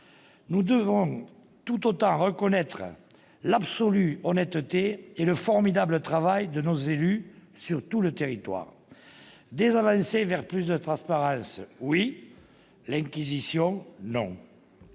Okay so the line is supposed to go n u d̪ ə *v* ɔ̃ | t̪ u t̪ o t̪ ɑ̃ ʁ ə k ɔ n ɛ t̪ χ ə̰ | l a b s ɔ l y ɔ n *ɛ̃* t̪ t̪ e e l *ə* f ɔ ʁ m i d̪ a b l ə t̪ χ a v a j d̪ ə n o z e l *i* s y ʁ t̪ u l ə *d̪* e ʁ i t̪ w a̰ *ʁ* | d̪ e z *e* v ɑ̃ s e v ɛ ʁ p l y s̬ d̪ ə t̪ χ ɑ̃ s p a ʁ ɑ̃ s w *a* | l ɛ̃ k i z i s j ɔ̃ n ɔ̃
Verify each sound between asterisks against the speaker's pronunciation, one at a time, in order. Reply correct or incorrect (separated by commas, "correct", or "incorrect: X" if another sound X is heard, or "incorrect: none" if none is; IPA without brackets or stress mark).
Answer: correct, incorrect: ɛ, correct, incorrect: y, incorrect: t̪, correct, incorrect: a, incorrect: i